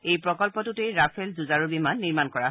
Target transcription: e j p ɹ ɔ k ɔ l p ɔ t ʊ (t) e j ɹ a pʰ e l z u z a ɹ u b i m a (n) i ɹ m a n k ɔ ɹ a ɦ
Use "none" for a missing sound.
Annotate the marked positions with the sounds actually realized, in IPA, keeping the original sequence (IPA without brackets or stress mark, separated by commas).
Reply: t, nː